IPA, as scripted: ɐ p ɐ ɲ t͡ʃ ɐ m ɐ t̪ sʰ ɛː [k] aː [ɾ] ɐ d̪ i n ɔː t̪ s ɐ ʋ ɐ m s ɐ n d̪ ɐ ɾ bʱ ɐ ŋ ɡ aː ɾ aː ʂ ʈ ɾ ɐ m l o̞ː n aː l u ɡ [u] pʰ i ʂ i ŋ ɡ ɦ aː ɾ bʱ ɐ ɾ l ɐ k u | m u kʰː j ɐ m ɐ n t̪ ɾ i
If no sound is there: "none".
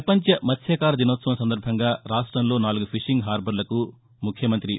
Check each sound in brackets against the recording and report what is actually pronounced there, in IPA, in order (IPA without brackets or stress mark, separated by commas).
k, ɾ, u